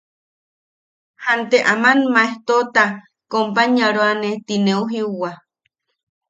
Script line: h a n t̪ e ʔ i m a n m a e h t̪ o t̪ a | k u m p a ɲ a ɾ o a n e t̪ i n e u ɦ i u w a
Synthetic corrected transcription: h a n t̪ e ʔ a m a n m a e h t̪ o t̪ a | k o m p a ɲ a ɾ o a n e t̪ i n e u ɦ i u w a